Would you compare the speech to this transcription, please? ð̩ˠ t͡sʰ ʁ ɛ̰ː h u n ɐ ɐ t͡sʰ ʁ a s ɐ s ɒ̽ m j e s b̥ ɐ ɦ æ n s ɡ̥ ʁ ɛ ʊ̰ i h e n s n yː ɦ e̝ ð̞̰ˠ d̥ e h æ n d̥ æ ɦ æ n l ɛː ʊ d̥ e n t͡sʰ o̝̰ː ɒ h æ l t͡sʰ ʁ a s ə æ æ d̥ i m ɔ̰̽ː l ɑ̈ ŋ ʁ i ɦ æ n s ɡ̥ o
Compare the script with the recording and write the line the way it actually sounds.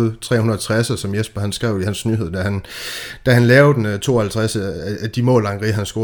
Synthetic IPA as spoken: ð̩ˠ t͡sʰ ʁ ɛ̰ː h u n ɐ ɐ t͡sʰ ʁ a s ɐ s ɒ̽ m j e s b̥ ɐ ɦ æ n s ɡ̥ ʁ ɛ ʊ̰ i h æ n s n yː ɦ e̝ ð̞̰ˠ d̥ æ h æ n d̥ æ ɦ æ n l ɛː ʊ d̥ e n t͡sʰ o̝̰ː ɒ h æ l t͡sʰ ʁ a s ə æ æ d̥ i m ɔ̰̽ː l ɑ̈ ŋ ʁ i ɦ æ n s ɡ̥ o